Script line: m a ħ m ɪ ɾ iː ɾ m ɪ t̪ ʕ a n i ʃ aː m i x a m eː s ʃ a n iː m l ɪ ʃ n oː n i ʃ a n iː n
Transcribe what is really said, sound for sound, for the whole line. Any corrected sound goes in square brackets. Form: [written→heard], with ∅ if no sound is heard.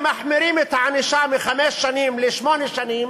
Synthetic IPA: m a ħ m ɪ ɾ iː [ɾ→∅] m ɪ t̪ ʕ a n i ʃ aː m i x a m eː s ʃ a n iː m l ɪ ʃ [n→m] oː n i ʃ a n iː [n→m]

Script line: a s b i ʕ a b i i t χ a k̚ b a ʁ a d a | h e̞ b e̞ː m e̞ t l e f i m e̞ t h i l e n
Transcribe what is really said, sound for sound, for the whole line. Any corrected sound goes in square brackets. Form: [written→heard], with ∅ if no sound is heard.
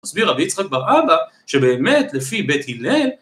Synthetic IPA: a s b i [ʕ→ʁ] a b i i [t→t͡s] χ a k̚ b a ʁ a [d→b] a | [h→ʃ] e̞ b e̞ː m e̞ t l e f i [m→b] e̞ t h i l e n

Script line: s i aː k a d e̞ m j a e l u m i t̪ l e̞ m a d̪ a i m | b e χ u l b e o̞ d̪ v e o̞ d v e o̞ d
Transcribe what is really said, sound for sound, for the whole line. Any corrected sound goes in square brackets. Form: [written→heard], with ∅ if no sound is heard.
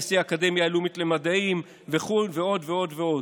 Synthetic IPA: s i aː k a d e̞ m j a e l u m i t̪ l e̞ m a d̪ a i m | [b→v] e χ u l [b→v] e o̞ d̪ v e o̞ d v e o̞ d

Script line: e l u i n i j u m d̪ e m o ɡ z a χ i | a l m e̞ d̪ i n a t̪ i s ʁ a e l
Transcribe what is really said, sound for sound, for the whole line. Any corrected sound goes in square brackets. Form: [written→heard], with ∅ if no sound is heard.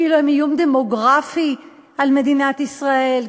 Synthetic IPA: [e→i] l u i [n→m] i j u m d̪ e m o ɡ [z→ʁ] a [χ→f] i | a l m e̞ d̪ i n a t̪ i s ʁ a e l

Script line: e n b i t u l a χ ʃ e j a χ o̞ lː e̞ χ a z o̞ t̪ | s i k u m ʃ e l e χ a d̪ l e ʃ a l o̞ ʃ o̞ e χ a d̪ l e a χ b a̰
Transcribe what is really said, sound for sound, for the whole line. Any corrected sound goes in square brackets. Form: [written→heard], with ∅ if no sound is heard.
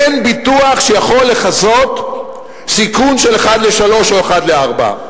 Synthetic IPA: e n b i t u [l→∅] a χ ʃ e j a χ o̞ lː e̞ χ a z o̞ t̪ | s i k u [m→n] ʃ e l e χ a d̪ l e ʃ a l o̞ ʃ o̞ e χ a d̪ l e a [χ→ʁ] b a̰

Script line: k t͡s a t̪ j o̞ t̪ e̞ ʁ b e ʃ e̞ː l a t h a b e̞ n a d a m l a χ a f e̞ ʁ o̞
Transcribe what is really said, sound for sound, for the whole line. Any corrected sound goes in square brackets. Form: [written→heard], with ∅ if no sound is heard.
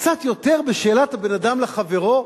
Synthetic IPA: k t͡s a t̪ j o̞ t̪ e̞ ʁ b e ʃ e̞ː l a t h a b e̞ n a d a m l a χ a [f→v] e̞ ʁ o̞

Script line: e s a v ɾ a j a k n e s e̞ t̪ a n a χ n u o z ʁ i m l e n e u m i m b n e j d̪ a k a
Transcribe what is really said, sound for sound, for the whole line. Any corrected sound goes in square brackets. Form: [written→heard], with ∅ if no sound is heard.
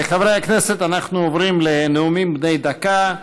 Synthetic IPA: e [s→χ] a v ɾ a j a k n e s e̞ t̪ a n a χ n u o [z→v] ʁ i m l e n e u m i m b n e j d̪ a k a

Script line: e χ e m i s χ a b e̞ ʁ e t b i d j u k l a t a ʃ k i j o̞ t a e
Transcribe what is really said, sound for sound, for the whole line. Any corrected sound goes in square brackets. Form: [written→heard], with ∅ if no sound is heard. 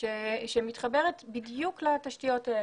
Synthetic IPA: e [χ→ʃ] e m i [s→t] χ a b e̞ ʁ e t b i d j u k l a t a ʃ [k→t] i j o̞ t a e

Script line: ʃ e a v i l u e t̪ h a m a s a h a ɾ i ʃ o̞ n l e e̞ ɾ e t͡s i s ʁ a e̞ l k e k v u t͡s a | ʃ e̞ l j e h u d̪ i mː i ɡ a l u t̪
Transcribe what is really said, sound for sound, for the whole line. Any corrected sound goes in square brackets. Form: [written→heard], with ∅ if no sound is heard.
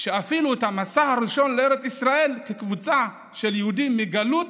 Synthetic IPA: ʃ e a [v→f] i l u e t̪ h a m a s a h a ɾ i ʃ o̞ n l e e̞ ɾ e t͡s i s ʁ a e̞ l k e k v u t͡s a | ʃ e̞ l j e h u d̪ i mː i ɡ a l u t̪

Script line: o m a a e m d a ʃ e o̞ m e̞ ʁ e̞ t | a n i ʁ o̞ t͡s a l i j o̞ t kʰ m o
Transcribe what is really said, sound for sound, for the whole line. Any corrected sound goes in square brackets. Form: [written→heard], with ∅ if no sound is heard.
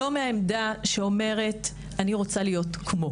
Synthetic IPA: o m [a→e] a e m d a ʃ e o̞ m e̞ ʁ e̞ t | a n i ʁ o̞ t͡s a l i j o̞ t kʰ m o

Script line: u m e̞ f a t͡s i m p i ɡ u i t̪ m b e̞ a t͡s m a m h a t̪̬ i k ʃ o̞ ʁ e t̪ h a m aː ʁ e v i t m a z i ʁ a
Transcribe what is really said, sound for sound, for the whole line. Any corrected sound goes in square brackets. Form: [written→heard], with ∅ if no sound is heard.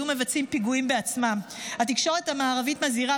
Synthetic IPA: u m e̞ [f→v] a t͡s i m p i ɡ u i [t̪→∅] m b e̞ a t͡s m a m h a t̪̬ i k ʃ o̞ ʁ e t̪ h a m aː ʁ [e→a] v i t m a z i ʁ a

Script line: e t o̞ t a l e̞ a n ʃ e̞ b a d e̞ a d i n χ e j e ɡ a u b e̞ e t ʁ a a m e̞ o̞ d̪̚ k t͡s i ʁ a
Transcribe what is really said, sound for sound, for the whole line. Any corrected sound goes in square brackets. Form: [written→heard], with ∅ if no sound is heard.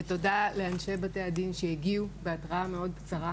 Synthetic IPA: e t o̞ [t→d] a l e̞ a n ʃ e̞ b a [d→t] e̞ a d i n [χ→ʃ] e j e ɡ [a→i] u b e̞ [e→a] t ʁ a a m e̞ o̞ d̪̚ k t͡s [i→a] ʁ a

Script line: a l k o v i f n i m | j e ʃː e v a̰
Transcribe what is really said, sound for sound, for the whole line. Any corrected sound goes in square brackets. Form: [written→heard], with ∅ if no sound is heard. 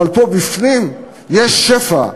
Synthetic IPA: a l [k→p] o [v→b] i f n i m | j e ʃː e [v→f] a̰

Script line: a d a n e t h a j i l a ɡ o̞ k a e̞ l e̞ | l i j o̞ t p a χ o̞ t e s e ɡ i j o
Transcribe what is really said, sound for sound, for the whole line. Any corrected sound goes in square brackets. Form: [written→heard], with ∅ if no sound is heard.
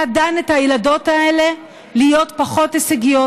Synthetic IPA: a d a n e t h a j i l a [ɡ→d] o̞ [k→t] a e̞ l e̞ | l i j o̞ t p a χ o̞ t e s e ɡ i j o

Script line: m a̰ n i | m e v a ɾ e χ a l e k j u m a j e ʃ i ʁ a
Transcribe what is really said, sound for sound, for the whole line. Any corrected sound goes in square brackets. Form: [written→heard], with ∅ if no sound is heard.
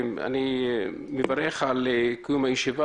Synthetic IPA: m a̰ n i | m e v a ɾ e χ a l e k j u m a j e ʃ i [ʁ→v] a

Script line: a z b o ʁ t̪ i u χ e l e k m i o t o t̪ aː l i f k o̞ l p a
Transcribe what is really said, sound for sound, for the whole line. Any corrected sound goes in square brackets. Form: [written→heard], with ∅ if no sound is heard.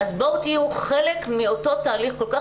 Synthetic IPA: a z b o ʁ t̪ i u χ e l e k m i o t o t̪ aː l i [f→χ] k o̞ l [p→k] a

